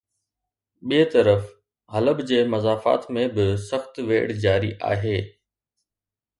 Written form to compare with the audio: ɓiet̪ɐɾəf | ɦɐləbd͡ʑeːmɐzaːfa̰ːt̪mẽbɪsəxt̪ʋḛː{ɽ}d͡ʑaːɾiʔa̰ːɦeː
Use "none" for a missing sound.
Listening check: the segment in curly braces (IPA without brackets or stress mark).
ɽ